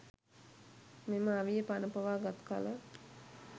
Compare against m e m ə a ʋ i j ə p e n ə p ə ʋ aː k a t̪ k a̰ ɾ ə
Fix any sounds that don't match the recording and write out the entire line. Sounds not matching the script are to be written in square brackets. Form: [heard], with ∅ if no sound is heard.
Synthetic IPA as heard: m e m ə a ʋ i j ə p [a] n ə p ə ʋ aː [ɡ] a t̪ k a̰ [l] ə